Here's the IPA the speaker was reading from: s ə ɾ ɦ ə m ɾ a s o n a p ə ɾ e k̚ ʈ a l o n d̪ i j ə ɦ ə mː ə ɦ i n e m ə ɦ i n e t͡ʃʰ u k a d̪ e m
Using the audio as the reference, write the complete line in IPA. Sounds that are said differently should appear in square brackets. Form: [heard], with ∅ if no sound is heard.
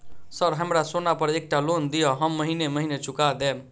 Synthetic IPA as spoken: s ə ɾ ɦ ə m ɾ a s o n a p ə ɾ e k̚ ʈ a l o n d̪ i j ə ɦ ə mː ə ɦ i n e m ə ɦ i n e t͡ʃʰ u k a d̪ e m